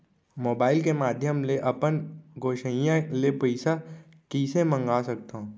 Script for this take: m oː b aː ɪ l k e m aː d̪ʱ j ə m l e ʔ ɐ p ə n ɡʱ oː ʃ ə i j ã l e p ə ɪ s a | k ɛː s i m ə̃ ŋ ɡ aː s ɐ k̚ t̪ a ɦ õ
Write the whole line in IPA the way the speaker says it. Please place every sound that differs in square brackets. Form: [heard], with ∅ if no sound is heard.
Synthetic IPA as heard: m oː b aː ɪ l k e m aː d̪ʱ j ə m l e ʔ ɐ p ə n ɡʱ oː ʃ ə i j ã l e p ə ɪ s a | k [iː] s [e] m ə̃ ŋ ɡ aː s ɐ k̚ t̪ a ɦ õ